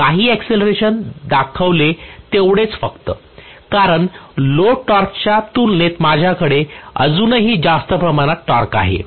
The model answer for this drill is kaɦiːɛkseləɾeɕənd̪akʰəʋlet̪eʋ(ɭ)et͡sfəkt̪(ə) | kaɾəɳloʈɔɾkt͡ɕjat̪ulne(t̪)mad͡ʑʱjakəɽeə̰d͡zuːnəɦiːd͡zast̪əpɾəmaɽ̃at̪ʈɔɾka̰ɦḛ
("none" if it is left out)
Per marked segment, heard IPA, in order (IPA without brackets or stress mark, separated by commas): ɽ, ə, t̪